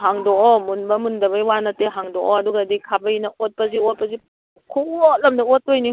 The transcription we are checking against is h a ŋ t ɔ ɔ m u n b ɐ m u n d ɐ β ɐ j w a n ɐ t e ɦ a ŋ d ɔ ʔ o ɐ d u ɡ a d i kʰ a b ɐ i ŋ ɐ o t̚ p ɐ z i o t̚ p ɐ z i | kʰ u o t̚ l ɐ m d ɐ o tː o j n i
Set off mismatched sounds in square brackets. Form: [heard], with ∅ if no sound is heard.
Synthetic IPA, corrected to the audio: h a ŋ [d] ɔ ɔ m u n b ɐ m u n d ɐ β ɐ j w a n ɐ t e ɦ a ŋ d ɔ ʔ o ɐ d u ɡ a d i kʰ a b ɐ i [n] ɐ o t̚ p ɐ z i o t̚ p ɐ z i | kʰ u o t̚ l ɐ m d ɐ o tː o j n i